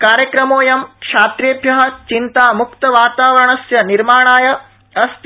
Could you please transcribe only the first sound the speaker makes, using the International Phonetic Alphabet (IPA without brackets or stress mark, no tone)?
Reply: k